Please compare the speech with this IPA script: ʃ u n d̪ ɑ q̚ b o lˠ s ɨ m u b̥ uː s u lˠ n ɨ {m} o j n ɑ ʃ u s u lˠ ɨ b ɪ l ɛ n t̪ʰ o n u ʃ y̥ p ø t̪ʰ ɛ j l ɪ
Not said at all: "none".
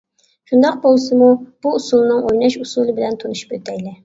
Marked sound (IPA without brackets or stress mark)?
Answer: ŋ